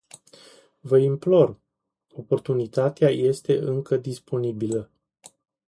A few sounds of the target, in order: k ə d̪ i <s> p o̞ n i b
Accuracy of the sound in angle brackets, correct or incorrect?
correct